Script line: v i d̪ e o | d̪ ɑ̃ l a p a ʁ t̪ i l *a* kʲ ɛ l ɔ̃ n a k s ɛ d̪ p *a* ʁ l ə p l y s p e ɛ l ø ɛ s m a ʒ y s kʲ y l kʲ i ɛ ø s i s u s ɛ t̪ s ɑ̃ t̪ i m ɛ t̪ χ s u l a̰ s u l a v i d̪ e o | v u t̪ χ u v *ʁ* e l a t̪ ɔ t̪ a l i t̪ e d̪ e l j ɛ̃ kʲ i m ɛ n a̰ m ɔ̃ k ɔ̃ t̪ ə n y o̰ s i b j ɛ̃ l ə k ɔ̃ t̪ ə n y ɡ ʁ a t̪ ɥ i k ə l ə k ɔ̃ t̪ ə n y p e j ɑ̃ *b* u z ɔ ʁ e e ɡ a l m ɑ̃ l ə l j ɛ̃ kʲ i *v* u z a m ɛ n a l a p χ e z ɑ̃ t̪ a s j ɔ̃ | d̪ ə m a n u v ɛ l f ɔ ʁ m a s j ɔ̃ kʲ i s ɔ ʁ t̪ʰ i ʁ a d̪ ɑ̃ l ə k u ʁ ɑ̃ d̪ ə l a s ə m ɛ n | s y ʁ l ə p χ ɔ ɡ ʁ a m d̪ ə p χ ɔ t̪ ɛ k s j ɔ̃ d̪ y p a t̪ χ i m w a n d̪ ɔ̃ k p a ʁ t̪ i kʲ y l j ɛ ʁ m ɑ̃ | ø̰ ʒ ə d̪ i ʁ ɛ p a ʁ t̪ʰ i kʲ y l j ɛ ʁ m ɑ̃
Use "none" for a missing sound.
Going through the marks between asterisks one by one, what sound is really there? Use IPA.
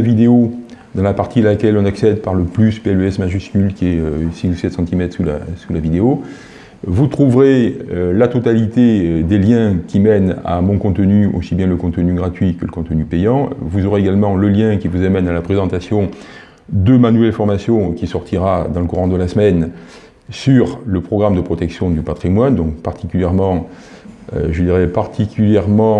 a, a, ʁ, v, v

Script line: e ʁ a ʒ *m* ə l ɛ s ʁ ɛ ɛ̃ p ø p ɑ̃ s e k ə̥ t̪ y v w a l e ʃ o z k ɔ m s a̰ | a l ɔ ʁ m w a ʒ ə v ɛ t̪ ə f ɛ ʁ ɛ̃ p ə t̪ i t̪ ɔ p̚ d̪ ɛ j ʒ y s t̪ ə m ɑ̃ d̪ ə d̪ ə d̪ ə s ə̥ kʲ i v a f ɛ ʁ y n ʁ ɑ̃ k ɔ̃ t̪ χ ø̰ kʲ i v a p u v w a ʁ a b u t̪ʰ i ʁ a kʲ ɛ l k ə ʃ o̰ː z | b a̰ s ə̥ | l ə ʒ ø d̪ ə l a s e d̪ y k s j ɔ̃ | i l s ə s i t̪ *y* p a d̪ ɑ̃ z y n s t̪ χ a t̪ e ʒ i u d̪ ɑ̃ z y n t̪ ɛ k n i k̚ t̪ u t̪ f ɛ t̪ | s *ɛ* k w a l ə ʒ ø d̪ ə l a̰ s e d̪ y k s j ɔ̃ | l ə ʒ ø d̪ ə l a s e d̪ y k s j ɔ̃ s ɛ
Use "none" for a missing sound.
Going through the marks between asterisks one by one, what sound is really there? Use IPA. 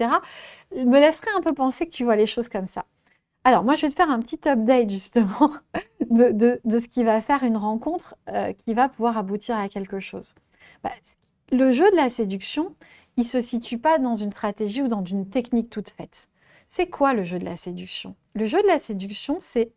m, y, ɛ

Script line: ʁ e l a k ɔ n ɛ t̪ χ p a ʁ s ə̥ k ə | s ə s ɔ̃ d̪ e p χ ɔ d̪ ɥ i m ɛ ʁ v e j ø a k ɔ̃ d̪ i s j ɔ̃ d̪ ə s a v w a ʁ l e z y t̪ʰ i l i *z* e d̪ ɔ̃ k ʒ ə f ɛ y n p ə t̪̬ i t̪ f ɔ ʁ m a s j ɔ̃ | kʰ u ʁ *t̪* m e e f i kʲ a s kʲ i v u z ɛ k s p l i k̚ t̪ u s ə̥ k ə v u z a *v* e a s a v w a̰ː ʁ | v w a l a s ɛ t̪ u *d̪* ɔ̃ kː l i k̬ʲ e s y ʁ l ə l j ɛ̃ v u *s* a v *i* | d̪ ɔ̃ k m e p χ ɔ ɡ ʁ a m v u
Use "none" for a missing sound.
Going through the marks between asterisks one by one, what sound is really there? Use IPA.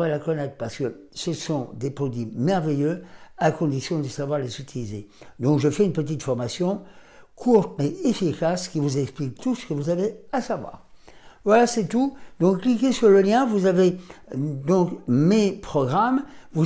z, t̪, v, d̪, z, e

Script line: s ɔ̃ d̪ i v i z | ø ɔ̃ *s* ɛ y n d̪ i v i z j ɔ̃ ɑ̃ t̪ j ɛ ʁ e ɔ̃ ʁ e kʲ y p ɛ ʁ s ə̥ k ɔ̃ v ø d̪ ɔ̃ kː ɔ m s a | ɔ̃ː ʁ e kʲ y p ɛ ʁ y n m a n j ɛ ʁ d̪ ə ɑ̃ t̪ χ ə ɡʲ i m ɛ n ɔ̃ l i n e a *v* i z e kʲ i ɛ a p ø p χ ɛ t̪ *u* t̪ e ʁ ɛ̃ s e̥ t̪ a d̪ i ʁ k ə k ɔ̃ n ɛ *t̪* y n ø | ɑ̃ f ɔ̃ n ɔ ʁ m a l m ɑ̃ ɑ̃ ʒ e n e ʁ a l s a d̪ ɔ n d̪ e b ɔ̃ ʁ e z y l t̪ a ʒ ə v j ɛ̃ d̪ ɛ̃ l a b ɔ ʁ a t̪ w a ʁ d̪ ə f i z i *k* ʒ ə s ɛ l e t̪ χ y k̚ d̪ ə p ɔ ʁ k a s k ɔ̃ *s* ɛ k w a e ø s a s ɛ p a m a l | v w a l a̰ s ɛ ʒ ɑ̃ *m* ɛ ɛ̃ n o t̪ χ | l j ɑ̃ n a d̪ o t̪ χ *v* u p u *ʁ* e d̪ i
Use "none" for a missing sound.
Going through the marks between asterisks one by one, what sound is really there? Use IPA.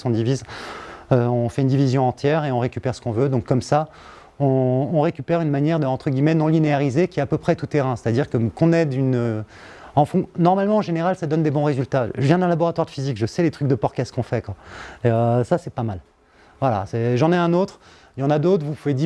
f, ʁ, u, d̪, k, f, n, v, v

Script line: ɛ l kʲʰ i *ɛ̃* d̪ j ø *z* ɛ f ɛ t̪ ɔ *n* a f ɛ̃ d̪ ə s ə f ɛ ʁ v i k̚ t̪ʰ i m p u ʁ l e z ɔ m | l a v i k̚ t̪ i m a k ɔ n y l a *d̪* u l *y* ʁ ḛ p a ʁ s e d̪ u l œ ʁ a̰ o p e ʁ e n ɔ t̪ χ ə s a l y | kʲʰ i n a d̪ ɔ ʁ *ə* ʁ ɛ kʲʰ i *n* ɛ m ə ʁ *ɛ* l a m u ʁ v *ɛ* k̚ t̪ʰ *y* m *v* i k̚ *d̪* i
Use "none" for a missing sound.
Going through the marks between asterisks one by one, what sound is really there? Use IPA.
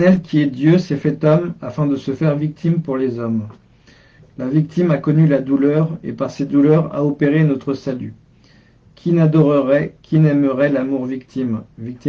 ɛ, s, m, d̪, œ, ə, n, ɛ, i, i, v, t̪

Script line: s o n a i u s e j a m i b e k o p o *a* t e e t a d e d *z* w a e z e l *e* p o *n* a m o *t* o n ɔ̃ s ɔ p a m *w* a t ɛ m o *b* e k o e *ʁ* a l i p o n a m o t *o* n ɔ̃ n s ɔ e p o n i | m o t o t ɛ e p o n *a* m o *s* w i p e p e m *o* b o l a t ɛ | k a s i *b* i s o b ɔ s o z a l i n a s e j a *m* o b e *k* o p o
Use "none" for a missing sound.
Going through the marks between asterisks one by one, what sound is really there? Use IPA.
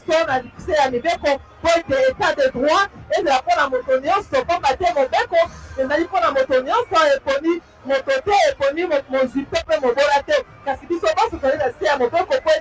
e, ʁ, a, n, t, b, b, z, o, i, z, o, b, m, k

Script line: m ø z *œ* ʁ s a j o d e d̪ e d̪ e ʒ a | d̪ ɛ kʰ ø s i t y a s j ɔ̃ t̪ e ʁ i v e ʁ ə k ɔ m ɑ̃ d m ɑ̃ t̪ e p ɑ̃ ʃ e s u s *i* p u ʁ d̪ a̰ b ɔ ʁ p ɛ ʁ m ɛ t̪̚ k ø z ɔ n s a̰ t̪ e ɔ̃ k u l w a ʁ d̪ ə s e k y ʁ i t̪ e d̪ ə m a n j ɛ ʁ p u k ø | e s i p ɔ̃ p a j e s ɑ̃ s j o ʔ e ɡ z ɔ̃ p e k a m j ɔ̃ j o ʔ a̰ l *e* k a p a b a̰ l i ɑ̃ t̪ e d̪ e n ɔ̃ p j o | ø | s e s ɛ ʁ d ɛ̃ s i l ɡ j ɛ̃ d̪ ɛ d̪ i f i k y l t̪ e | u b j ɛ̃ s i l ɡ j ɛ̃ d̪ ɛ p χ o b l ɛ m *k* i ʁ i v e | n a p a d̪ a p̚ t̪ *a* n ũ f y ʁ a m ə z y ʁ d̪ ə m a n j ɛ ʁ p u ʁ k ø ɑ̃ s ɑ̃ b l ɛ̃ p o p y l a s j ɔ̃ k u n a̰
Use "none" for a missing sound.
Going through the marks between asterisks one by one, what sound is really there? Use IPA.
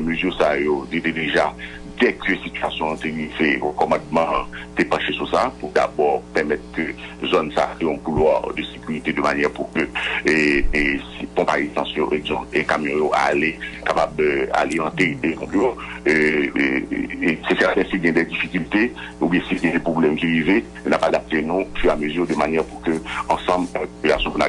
y, a, e, k, e

